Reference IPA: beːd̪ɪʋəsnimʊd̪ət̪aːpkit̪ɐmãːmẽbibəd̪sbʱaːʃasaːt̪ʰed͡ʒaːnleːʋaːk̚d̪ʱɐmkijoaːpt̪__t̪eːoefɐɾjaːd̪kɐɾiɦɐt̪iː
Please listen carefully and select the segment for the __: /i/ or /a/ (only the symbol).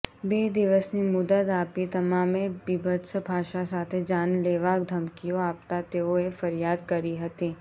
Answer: a